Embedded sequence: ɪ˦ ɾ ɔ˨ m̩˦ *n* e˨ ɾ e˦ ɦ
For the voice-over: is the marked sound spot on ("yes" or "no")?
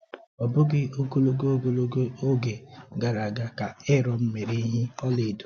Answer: no